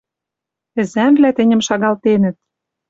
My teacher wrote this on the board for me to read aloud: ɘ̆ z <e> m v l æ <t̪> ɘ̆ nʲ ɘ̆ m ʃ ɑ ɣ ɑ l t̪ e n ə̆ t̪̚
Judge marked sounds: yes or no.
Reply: no, yes

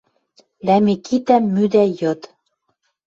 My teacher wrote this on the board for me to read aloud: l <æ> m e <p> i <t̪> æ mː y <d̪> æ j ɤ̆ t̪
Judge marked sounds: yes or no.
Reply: yes, no, yes, yes

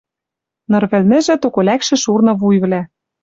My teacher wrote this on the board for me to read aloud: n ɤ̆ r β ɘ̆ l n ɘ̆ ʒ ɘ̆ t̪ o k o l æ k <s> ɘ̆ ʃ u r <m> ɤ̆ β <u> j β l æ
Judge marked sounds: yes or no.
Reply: no, no, yes

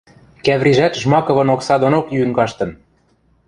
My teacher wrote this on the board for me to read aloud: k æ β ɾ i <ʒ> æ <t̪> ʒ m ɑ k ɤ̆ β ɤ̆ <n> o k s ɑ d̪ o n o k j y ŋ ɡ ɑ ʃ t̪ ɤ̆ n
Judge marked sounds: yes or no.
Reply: yes, yes, yes

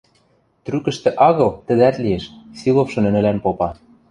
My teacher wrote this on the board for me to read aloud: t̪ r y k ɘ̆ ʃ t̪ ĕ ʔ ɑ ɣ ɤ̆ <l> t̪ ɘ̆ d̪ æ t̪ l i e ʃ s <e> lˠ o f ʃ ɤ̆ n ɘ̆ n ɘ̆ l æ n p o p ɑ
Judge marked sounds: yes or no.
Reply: yes, no

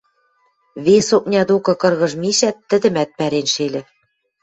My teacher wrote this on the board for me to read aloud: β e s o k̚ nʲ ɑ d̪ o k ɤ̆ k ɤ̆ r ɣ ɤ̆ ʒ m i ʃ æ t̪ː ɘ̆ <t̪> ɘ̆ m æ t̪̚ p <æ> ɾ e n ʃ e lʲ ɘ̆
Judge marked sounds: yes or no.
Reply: no, yes

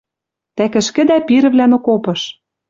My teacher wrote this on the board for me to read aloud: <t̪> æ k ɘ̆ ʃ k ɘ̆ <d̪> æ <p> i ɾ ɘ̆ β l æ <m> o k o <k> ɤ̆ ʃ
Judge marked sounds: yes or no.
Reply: yes, yes, yes, no, no

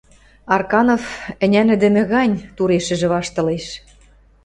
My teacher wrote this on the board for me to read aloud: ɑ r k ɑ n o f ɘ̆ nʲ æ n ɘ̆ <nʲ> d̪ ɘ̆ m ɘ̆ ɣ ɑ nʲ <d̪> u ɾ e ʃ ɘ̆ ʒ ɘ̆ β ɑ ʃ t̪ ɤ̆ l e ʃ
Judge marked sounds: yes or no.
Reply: no, no

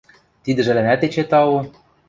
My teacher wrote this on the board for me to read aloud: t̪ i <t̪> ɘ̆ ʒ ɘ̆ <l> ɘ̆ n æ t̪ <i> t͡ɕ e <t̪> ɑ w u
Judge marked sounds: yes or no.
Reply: no, yes, no, yes

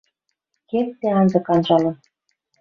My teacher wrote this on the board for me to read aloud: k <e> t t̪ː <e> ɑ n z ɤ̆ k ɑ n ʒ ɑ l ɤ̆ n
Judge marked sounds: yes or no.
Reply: yes, yes

